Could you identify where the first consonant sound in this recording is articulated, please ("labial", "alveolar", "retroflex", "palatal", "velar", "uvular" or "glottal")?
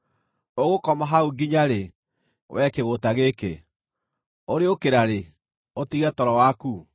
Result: velar